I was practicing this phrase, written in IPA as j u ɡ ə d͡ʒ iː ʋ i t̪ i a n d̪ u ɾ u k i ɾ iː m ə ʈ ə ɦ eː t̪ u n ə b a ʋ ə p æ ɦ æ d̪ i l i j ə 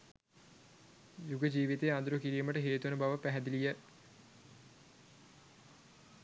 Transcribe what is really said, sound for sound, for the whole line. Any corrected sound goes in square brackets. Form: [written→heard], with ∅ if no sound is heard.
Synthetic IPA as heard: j u ɡ ə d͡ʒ iː ʋ i t̪ [i→e] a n d̪ u ɾ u k i ɾ iː m ə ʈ ə ɦ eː t̪ u n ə b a ʋ ə p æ ɦ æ d̪ i l i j ə